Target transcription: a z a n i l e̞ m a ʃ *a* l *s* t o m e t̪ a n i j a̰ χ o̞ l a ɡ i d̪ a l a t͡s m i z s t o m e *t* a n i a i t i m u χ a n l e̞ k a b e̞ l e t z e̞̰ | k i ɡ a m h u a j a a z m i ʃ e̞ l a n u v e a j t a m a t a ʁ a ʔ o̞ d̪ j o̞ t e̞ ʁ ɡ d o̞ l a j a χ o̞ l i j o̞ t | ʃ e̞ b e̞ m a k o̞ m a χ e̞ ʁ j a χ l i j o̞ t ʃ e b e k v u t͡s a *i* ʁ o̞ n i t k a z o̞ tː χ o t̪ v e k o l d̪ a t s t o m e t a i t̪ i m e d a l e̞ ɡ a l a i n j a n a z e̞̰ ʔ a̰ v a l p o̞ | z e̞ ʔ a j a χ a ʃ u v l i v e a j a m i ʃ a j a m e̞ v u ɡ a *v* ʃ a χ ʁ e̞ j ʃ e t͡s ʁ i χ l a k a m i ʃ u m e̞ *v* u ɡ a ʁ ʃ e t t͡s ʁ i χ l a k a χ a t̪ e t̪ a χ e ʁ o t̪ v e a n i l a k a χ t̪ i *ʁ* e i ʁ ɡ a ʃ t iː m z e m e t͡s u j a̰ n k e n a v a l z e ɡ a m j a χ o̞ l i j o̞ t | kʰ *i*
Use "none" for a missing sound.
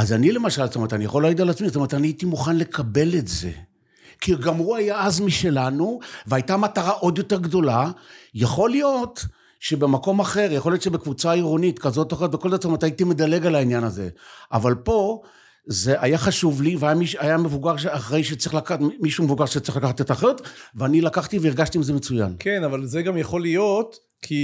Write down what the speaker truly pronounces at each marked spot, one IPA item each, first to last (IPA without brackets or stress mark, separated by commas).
a, s, t, i, ʁ, v, v, i